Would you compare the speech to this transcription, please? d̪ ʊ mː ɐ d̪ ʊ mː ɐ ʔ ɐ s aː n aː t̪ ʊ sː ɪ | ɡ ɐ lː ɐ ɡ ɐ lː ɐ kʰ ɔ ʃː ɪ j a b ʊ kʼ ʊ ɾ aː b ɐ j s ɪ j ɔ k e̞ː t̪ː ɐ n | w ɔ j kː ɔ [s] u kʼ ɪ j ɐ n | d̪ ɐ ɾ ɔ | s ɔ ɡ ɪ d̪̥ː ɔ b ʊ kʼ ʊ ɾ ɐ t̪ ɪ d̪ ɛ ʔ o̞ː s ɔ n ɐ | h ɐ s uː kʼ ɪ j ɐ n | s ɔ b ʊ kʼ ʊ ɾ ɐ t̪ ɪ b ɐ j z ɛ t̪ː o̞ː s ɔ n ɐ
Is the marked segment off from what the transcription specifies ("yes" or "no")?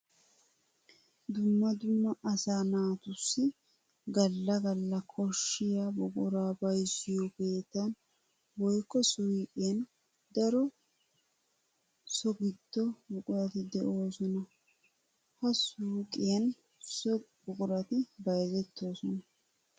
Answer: no